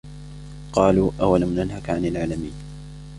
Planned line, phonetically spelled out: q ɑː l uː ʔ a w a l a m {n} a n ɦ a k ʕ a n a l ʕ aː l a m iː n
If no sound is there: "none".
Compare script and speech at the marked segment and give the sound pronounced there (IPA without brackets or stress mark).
n